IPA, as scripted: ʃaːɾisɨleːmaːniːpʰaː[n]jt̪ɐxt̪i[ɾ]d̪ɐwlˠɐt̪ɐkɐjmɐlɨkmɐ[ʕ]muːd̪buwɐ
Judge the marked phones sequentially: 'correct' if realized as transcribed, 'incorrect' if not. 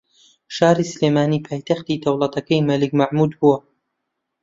incorrect: none, incorrect: none, correct

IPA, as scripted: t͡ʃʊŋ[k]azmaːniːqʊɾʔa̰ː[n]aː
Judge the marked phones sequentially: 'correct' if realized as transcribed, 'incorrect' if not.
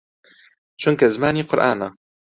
correct, correct

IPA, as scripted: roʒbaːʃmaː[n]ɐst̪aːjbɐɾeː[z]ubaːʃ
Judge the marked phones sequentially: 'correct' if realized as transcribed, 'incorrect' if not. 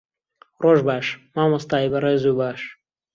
incorrect: m, correct

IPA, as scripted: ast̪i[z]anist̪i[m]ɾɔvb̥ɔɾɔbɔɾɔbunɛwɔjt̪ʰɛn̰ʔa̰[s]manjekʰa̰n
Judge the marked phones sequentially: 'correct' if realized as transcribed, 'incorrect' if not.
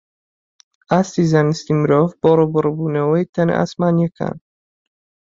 correct, correct, correct

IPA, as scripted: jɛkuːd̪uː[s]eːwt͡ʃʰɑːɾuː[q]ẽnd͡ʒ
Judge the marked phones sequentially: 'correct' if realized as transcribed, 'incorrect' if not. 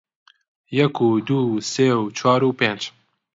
correct, incorrect: p

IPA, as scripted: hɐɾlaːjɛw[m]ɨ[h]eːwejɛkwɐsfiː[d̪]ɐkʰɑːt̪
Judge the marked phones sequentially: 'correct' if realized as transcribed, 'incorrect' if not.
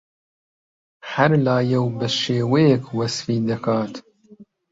incorrect: b, incorrect: ʃ, correct

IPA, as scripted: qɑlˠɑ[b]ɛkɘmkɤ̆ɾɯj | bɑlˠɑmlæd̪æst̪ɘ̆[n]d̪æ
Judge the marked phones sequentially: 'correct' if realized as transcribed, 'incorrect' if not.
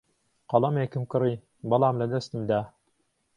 incorrect: m, incorrect: m

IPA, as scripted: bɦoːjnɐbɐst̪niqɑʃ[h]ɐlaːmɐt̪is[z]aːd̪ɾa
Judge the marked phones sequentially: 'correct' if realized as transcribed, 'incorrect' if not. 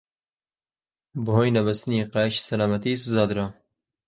incorrect: s, correct

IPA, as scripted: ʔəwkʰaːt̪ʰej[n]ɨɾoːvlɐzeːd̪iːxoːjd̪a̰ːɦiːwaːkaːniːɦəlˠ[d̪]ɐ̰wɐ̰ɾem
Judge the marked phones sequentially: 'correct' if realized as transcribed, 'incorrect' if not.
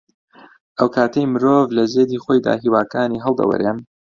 incorrect: m, correct

